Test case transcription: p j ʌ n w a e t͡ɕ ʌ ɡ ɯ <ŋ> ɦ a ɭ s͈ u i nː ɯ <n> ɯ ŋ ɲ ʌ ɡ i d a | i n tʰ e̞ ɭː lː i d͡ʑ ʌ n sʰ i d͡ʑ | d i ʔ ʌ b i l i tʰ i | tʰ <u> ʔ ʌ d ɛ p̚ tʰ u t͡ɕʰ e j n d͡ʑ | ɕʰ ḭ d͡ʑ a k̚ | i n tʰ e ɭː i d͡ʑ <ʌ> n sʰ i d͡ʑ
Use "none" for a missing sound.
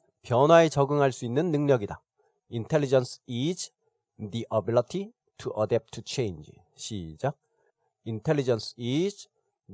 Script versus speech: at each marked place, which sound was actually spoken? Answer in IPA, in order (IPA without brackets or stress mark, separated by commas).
ŋ, nː, u, ʌ